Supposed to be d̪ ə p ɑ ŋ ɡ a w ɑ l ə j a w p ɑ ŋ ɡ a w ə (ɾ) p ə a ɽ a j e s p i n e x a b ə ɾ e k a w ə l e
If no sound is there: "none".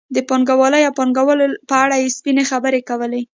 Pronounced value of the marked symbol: l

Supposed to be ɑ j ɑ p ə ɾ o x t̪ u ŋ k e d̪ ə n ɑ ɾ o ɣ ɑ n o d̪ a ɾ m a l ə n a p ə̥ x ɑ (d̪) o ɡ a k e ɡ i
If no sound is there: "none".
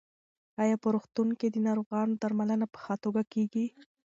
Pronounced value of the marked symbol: t̪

